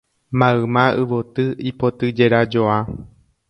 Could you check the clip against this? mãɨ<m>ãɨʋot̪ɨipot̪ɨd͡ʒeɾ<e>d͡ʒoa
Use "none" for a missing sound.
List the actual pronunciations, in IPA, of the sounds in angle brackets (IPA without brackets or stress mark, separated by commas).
m, a